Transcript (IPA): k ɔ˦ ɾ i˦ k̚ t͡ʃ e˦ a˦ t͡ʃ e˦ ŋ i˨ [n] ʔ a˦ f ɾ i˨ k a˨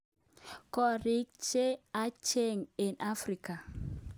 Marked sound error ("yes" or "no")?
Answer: no